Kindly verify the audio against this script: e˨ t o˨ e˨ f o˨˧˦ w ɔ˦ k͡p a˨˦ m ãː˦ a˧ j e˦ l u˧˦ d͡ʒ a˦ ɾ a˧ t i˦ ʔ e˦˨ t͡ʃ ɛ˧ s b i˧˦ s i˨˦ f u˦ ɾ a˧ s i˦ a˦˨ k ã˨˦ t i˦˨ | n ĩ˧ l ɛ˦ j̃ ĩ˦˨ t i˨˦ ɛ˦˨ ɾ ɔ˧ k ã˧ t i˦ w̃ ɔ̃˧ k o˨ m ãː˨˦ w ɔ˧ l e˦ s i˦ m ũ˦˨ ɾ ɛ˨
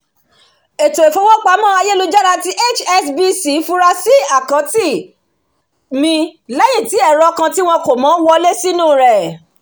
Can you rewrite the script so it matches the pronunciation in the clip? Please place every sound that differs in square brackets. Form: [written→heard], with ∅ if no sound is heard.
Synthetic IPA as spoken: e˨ t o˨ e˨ f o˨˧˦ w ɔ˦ k͡p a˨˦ m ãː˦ a˧ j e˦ l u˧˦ d͡ʒ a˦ ɾ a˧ t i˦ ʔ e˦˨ t͡ʃ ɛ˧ s b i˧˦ s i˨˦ f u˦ ɾ a˧ s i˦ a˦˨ k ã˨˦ t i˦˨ | [n→m] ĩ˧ l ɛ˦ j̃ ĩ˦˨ t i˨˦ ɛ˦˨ ɾ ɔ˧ k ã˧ t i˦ w̃ ɔ̃˧ k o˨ m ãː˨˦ w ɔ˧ l e˦ s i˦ [m→n] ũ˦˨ ɾ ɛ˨